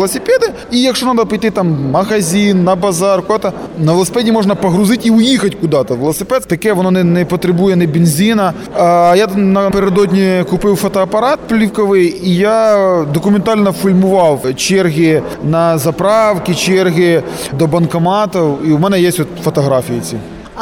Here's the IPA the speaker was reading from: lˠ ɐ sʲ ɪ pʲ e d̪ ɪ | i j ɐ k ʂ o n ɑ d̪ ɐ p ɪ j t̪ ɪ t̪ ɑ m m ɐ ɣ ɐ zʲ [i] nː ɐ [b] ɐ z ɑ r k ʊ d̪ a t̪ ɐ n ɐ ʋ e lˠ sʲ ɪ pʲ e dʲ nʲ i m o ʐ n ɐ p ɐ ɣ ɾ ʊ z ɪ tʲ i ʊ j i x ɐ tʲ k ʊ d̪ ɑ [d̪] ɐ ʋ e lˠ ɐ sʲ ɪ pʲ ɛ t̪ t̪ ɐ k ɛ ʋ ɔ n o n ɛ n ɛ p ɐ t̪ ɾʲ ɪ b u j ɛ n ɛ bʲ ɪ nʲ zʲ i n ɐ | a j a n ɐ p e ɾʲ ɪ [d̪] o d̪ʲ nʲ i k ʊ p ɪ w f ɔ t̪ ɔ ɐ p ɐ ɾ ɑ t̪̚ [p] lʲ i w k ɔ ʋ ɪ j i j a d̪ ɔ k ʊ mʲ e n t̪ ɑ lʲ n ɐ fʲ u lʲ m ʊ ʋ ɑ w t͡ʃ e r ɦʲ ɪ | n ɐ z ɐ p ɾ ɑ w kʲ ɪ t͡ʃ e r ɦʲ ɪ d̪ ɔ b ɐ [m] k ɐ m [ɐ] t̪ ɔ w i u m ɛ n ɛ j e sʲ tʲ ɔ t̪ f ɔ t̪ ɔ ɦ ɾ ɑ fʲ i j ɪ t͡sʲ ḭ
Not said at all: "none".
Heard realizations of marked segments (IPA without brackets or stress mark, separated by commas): i, b, t̪, d̪, p, n, ɑ